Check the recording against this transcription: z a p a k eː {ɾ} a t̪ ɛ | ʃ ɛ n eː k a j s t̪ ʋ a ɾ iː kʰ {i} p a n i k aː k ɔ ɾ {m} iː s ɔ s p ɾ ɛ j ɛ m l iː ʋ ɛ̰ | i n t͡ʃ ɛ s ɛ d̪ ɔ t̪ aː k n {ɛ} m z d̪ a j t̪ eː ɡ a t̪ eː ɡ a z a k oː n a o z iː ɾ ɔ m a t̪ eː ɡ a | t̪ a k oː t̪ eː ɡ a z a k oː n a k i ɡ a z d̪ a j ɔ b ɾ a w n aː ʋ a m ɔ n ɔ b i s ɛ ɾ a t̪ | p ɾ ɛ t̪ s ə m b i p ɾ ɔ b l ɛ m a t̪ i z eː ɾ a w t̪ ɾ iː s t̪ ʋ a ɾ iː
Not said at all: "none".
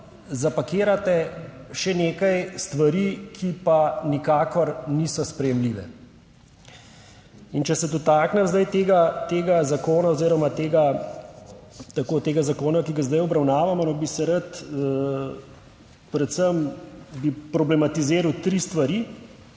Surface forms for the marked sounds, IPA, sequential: ɾ, i, n, ɛ

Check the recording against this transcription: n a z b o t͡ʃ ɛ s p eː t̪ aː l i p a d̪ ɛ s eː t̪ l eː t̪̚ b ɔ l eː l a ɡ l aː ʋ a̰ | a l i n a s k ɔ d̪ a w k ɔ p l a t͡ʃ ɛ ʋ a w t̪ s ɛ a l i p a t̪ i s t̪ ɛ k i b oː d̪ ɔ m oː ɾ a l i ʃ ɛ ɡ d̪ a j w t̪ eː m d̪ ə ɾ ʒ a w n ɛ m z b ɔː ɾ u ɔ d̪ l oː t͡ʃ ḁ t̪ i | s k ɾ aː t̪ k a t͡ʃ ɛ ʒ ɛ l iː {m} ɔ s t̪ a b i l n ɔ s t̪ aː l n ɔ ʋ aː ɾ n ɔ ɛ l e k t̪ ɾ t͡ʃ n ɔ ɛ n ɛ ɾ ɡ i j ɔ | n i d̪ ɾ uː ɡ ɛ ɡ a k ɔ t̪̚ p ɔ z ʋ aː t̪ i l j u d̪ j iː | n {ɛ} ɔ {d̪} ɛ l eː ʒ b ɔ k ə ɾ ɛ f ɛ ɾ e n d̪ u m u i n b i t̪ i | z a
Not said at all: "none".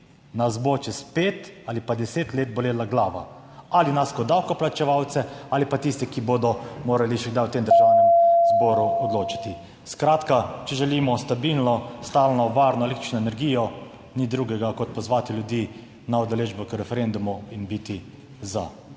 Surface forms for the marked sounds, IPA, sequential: m, a, d̪

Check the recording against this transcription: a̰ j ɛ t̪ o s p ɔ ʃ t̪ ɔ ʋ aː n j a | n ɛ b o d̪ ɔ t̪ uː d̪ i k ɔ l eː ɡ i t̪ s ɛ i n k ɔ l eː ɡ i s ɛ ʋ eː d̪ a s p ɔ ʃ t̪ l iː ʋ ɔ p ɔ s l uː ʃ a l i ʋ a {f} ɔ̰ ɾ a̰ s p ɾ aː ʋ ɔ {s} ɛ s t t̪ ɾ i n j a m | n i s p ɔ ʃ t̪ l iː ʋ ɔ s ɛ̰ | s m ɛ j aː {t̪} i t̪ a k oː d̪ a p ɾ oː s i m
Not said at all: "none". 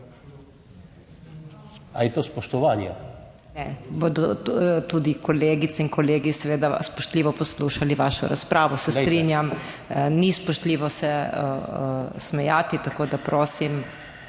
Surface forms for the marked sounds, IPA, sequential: ʃ, s, t̪

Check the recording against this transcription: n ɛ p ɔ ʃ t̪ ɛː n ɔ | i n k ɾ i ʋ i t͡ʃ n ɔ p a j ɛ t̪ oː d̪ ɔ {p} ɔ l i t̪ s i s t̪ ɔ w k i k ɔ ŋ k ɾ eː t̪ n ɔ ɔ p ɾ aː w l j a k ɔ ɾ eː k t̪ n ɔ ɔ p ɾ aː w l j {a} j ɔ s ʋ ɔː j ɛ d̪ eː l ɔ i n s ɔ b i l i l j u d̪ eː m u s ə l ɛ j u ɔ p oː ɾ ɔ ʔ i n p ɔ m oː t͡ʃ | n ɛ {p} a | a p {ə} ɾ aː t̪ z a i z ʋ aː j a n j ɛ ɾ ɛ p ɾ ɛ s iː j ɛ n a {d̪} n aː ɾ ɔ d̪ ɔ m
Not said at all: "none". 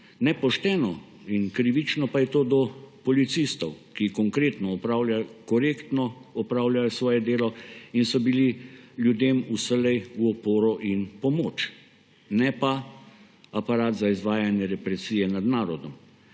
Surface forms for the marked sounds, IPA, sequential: p, a, p, a, d̪

